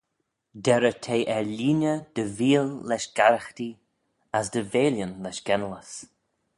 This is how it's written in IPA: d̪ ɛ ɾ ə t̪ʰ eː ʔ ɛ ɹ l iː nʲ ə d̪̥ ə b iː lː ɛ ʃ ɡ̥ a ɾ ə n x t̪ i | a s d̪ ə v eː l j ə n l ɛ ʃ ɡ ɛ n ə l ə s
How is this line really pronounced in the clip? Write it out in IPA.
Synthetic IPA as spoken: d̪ ɛ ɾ ə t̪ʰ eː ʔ ɛ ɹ l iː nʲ ə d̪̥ ə v iː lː ɛ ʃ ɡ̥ a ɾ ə x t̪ i | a s d̪ ə v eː l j ə n l ɛ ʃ ɡ ɛ n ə l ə s